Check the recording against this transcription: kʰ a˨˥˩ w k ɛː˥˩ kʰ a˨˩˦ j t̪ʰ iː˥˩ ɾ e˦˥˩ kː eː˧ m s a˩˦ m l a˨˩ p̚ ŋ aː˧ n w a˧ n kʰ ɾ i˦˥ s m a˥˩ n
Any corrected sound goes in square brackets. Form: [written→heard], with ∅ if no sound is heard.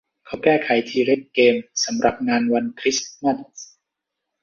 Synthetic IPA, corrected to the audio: kʰ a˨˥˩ w k ɛː˥˩ kʰ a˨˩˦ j t̪ʰ [iː˥˩→iː˧] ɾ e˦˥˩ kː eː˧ m s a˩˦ m [l→ɾ] a˨˩ p̚ ŋ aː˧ n w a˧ n kʰ ɾ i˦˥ s m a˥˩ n